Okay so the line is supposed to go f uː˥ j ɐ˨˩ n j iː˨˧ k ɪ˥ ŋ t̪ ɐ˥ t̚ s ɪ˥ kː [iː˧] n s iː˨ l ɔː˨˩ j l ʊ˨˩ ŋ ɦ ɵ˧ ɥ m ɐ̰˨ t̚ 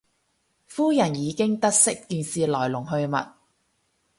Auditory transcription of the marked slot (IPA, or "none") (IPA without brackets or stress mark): iː˧